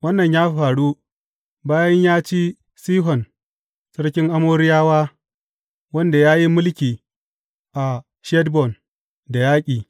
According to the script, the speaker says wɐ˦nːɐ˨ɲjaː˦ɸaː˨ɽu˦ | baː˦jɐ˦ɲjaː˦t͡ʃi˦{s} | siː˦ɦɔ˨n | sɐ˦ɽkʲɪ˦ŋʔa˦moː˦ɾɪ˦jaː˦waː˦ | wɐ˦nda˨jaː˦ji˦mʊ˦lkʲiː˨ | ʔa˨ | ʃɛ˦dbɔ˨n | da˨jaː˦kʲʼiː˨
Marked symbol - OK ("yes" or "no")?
no